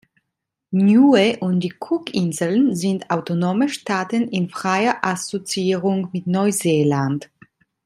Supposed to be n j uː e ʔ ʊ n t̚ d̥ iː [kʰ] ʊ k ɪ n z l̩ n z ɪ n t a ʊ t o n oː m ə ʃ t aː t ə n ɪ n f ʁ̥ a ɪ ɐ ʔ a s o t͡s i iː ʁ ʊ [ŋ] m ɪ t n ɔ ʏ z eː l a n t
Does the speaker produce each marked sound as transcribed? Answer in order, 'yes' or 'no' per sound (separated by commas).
yes, yes